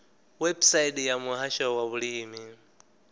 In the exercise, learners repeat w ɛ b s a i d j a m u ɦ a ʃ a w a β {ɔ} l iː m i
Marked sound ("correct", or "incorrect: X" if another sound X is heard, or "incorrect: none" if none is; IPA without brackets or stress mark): incorrect: u